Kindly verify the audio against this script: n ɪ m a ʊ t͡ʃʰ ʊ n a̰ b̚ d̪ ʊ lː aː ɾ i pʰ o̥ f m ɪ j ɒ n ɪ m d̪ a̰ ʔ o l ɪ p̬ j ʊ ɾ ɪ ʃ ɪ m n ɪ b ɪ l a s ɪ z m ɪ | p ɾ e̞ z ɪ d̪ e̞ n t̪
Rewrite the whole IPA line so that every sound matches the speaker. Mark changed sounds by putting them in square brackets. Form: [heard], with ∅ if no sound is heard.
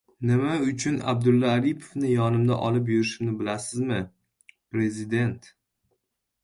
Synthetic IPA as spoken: n ɪ m a ʊ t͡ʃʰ ʊ n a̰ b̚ d̪ ʊ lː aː ɾ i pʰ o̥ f [n] ɪ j ɒ n ɪ m d̪ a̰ ʔ [ɒ] l ɪ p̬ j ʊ ɾ ɪ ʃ ɪ m n ɪ b ɪ l a s ɪ z m ɪ | p ɾ e̞ z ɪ d̪ e̞ n t̪